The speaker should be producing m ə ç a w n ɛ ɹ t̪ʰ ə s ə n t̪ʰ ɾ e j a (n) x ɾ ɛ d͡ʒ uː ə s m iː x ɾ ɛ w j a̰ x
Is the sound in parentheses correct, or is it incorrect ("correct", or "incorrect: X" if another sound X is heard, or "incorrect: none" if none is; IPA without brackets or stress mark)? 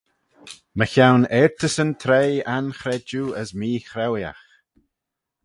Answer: correct